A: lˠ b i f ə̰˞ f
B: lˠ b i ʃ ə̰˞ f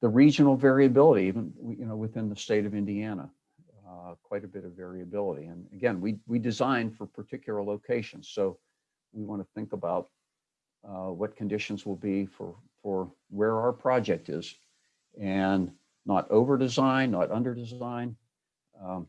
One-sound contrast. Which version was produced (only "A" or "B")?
A